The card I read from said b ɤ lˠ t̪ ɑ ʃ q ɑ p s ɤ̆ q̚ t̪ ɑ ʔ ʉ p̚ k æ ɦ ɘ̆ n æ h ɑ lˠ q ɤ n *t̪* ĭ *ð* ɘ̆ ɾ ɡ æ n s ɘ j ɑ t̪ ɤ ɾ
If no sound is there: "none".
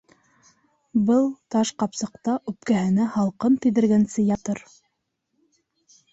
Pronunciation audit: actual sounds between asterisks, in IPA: t̪, ð

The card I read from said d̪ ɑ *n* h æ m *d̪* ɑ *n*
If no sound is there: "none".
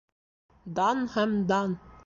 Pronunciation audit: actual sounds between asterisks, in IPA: n, d̪, n

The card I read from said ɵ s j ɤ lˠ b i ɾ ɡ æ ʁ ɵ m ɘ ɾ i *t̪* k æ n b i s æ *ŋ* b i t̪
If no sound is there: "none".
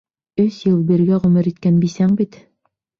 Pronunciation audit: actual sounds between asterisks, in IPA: t̪, ŋ

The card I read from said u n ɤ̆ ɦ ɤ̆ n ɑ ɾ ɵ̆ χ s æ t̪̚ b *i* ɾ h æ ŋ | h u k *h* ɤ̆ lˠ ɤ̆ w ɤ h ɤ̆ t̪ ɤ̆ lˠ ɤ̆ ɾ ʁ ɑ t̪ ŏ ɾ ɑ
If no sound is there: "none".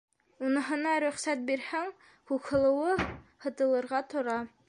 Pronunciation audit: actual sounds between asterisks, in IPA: i, h

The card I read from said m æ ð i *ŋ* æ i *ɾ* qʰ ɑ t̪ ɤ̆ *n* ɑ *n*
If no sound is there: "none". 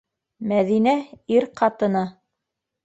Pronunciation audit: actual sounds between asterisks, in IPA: n, ɾ, n, none

